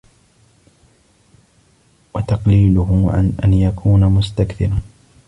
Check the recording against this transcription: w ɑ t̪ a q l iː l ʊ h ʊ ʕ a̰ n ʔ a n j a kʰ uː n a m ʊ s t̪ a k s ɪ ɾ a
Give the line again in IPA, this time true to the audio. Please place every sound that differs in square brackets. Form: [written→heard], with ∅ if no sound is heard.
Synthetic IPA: w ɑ t̪ [a→ɑ] q l iː l ʊ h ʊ ʕ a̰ n ʔ a n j a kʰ uː n a m ʊ s t̪ a k [s→θ] ɪ ɾ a